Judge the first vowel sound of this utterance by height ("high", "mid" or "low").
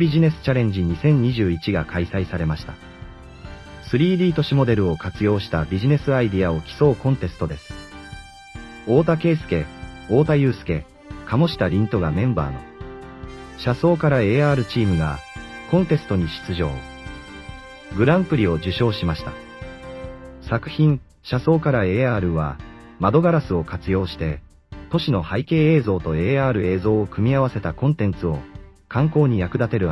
high